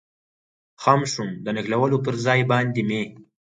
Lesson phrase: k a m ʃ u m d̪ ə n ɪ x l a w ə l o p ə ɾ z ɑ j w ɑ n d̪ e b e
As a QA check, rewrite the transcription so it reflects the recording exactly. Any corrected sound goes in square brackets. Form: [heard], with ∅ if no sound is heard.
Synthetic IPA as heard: [x] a m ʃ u m d̪ ə n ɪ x l a w ə l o p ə ɾ z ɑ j [b] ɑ n d̪ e [m] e